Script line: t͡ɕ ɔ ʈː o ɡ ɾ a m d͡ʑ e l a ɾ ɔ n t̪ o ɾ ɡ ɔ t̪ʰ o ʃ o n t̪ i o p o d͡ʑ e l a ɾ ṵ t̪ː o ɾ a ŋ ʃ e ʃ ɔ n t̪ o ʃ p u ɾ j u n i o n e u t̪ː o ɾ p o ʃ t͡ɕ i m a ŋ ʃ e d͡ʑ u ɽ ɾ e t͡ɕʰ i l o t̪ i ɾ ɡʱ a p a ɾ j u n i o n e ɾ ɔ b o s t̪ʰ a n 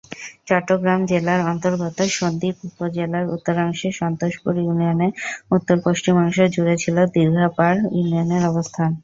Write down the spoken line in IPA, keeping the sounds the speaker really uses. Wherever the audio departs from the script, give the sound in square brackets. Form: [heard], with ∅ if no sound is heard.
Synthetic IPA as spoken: t͡ɕ ɔ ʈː o ɡ ɾ a m d͡ʑ e l a ɾ ɔ n t̪ o ɾ ɡ ɔ [t̪] o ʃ o n [d̪] i [u] p o d͡ʑ e l a ɾ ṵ t̪ː o ɾ a ŋ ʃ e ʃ ɔ n t̪ o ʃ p u ɾ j u n i o n e u t̪ː o ɾ p o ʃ t͡ɕ i m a ŋ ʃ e d͡ʑ u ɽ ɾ e t͡ɕʰ i l o [d̪] i ɾ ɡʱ a p a ɾ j u n i o n e ɾ ɔ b o s t̪ʰ a n